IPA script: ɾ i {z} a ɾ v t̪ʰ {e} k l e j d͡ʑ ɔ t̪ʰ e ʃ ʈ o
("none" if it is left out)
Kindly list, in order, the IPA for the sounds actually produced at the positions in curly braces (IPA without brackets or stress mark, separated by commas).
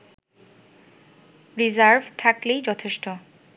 z, a